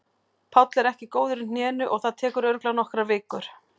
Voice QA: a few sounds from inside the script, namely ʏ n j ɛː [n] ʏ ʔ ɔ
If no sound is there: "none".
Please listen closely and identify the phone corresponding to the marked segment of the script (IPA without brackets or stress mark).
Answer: n